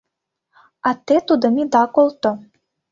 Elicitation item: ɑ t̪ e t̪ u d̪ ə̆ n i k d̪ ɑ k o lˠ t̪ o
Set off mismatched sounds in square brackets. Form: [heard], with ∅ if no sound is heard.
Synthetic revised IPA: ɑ t̪ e t̪ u d̪ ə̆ [m] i [∅] d̪ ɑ k o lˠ t̪ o